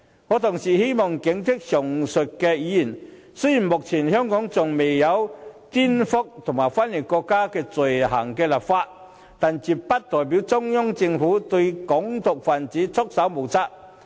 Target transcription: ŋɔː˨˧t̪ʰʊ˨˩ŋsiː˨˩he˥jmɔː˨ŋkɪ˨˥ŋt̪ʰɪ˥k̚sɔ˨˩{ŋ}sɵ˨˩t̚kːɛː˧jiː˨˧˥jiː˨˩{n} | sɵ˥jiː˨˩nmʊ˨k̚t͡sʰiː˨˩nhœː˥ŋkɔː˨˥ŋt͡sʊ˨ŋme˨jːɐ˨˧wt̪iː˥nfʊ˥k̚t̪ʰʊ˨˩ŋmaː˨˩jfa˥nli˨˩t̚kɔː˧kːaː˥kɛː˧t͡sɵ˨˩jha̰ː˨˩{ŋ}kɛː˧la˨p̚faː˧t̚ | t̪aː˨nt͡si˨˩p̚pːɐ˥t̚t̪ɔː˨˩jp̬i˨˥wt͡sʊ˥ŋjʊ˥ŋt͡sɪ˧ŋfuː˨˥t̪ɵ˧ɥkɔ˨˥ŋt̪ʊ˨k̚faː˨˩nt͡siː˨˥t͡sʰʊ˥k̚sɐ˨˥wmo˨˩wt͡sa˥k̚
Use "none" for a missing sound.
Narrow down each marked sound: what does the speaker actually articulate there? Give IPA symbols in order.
ŋ, n, ŋ

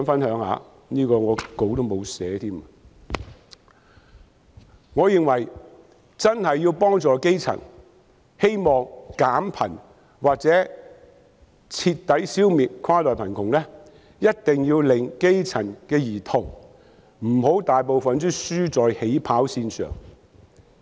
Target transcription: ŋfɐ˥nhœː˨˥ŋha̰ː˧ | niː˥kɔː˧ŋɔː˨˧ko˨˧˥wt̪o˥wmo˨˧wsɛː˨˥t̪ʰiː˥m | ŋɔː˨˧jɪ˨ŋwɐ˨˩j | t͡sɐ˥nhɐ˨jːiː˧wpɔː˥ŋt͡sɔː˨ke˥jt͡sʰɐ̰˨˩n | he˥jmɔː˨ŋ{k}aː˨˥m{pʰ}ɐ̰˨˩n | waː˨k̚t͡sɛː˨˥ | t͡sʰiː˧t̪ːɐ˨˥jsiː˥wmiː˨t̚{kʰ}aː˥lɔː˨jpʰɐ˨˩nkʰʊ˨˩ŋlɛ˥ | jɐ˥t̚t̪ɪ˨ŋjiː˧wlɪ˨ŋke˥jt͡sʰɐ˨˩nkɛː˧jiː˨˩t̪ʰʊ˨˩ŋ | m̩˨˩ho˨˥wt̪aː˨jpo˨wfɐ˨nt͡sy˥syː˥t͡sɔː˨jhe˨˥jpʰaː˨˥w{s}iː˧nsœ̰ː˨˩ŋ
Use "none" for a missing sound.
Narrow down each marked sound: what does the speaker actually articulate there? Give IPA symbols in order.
k, pʰ, kʰ, s

